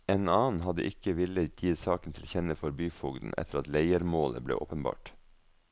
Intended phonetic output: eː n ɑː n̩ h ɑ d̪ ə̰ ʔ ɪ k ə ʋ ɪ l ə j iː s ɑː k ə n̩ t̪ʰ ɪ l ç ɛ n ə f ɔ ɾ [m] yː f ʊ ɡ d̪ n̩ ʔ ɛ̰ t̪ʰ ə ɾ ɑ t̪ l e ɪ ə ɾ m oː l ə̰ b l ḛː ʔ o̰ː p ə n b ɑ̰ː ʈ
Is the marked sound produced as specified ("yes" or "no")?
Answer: no